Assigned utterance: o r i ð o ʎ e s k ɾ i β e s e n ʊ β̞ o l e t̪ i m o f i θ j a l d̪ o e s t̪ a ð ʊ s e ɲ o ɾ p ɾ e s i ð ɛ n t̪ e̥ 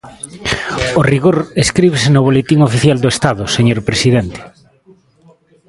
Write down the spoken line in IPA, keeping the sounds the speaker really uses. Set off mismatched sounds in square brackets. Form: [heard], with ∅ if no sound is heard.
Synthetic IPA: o r i [ɣ] o [ɾ] e s k ɾ i β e s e n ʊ β̞ o l e t̪ i [ŋ] o f i θ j a l d̪ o e s t̪ a ð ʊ s e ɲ o ɾ p ɾ e s i ð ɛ n t̪ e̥